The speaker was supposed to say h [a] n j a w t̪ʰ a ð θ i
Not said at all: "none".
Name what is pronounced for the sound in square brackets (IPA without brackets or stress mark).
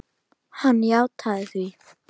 a